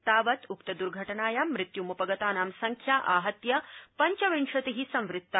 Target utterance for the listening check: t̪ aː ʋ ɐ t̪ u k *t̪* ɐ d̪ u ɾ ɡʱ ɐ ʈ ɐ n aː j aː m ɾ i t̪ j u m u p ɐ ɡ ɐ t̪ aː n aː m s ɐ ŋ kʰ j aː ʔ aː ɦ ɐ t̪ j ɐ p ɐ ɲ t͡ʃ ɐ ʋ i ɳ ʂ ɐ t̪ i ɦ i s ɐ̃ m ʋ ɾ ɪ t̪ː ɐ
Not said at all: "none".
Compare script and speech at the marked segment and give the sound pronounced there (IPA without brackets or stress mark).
t̪